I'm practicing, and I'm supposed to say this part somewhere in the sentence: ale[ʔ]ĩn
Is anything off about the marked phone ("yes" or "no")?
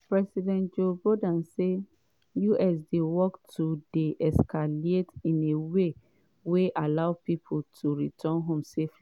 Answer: yes